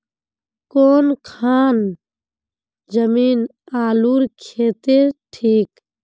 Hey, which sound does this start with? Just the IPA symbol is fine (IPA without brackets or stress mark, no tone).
k